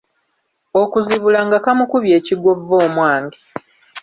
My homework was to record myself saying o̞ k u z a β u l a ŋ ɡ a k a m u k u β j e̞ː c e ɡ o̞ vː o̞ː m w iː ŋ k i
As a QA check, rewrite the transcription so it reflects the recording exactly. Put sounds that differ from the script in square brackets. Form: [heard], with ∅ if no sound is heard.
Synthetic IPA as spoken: o̞ k u z [i] β u l a ŋ ɡ a k a m u k u β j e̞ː c [i] ɡ o̞ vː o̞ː m w [aː] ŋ [ɡ] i